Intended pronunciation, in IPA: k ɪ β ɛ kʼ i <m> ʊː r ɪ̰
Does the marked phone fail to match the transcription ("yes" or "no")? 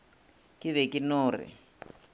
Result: yes